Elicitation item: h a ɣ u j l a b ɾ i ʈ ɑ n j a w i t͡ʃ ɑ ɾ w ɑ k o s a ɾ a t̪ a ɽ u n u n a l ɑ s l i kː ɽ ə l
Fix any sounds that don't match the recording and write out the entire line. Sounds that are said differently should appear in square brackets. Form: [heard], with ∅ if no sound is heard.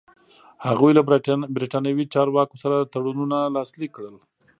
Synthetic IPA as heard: h a ɣ u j l a b ɾ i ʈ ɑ n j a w i t͡ʃ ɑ ɾ w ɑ k o s a ɾ a t̪ a ɽ u n u n a l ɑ s l i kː ɽ ə l